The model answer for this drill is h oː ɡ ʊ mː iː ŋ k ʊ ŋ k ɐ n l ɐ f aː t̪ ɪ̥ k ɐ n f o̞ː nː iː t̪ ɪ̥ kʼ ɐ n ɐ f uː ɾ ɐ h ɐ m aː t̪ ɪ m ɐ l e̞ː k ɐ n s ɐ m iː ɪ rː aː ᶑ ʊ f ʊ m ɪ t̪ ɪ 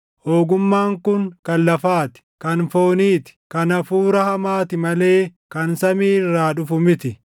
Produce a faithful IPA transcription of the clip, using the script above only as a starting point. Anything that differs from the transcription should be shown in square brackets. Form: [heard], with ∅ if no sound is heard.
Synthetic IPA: h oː ɡ ʊ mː [aː] ŋ k ʊ ŋ k ɐ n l ɐ f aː t̪ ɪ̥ k ɐ n f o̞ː [n] iː t̪ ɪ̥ [k] ɐ n ɐ f uː ɾ ɐ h ɐ m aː t̪ ɪ m ɐ l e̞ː k ɐ n s ɐ m iː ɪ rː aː ᶑ ʊ f ʊ m ɪ t̪ ɪ